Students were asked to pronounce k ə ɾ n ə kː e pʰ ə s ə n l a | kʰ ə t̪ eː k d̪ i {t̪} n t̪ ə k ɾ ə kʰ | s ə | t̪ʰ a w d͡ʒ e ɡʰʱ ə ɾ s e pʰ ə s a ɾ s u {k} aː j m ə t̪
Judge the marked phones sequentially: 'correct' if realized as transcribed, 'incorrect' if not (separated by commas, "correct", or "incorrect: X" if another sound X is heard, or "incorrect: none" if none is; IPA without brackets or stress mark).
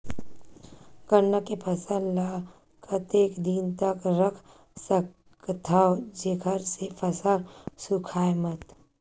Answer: incorrect: none, incorrect: kʰ